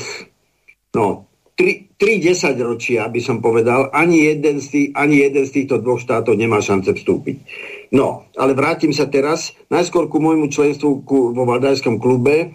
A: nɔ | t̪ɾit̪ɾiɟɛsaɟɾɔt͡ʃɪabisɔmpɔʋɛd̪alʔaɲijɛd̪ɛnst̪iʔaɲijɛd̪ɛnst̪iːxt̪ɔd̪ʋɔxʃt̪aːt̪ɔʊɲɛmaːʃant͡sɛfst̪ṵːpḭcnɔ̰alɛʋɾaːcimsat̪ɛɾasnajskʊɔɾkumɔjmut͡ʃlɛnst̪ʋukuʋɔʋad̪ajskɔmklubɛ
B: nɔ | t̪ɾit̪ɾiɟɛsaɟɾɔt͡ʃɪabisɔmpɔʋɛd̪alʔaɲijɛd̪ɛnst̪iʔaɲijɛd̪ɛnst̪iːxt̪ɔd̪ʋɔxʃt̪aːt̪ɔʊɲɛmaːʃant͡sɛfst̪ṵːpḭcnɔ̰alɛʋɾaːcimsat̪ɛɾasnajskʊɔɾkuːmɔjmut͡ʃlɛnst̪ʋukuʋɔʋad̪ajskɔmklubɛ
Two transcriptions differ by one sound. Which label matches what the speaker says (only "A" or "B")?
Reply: A